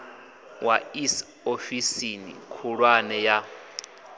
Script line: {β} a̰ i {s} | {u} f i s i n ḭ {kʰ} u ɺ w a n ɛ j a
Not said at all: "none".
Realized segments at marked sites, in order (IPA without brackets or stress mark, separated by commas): w, s, o, kʰ